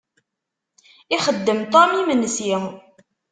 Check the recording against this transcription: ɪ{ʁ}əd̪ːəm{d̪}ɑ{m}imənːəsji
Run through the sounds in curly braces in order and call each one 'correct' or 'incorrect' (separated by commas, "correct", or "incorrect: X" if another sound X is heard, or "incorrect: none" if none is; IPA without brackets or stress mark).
incorrect: χ, incorrect: t̪, correct